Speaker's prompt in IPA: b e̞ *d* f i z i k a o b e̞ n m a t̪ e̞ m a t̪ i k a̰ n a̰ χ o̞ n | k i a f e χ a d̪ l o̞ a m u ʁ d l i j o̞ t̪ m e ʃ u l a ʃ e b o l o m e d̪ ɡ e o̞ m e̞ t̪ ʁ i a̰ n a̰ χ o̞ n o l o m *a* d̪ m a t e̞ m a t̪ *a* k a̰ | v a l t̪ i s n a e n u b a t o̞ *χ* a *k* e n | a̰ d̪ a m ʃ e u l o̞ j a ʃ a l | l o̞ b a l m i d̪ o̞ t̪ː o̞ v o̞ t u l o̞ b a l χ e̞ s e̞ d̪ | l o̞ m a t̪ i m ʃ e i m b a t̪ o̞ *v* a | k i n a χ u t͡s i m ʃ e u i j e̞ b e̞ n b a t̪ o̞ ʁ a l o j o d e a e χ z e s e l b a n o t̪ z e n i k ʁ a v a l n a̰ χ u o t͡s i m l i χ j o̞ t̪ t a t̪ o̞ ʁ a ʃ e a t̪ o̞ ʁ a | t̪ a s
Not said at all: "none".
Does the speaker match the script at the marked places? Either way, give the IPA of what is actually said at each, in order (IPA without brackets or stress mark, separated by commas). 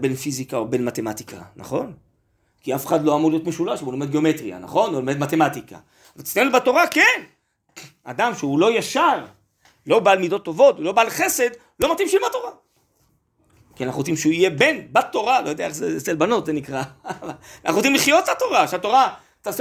n, e, i, ʁ, k, ʁ